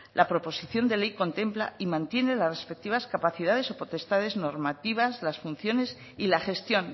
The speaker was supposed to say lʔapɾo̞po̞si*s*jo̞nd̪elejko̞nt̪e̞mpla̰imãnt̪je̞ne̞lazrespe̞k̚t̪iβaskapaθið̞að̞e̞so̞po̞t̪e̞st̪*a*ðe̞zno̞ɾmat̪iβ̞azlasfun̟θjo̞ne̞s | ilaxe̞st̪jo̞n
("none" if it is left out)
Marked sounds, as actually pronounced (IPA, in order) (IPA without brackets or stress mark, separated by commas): θ, a